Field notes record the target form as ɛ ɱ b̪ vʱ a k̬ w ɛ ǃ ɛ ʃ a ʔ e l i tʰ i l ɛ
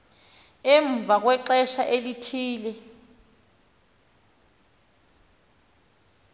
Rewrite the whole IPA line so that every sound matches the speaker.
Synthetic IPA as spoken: ɛ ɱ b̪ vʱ a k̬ w ɛ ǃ ɛ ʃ a ʔ e l i tʰ iː l ɛ